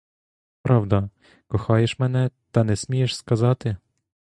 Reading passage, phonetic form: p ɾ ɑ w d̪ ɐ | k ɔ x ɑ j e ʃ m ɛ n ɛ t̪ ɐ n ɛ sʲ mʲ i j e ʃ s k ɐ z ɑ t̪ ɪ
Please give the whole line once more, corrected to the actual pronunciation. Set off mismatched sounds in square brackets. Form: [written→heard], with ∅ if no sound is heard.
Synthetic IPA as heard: p ɾ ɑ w d̪ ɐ | k ɔ x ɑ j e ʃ m ɛ n ɛ t̪ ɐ n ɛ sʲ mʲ i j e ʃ s k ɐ z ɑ t̪ ɪ